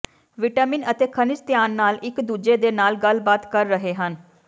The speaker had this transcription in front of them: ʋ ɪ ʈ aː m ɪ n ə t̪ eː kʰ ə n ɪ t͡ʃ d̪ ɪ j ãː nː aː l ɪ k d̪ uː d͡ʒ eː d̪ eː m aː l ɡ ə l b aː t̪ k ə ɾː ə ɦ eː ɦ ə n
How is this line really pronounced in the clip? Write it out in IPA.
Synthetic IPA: ʋ ɪ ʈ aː m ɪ n ə t̪ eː kʰ ə n ɪ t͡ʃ t̪ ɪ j aː nː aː l ɪ k d̪ uː d͡ʒ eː d̪ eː n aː l ɡ ə l b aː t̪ k ə ɾː ə ɦ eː ɦ ə n